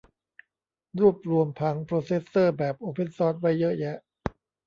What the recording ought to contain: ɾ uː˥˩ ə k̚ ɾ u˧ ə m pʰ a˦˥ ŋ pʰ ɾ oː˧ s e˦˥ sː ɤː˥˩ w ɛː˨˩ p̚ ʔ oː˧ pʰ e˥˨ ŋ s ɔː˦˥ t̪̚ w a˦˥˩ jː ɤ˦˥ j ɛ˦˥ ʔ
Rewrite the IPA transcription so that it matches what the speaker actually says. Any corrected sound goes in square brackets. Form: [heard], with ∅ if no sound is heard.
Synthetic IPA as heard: ɾ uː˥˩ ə [p̚] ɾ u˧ ə m pʰ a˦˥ ŋ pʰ ɾ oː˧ s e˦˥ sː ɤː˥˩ [b] ɛː˨˩ p̚ ʔ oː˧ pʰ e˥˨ [n] s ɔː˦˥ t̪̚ w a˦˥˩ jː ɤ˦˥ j ɛ˦˥ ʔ